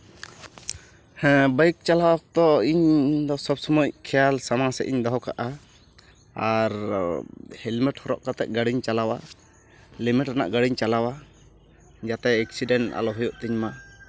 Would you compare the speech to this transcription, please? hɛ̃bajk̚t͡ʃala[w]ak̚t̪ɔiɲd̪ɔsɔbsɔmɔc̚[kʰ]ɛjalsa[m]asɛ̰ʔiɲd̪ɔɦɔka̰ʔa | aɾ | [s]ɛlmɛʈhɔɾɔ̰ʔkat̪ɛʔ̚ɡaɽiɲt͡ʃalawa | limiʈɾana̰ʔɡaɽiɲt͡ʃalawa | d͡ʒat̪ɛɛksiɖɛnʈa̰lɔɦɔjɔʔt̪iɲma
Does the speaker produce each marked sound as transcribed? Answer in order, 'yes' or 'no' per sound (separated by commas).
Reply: yes, yes, yes, no